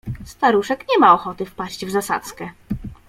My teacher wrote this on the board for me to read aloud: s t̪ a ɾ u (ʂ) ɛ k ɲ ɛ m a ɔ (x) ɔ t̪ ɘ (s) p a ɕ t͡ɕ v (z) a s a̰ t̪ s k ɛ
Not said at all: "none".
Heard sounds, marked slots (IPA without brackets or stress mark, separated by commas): ʂ, x, f, z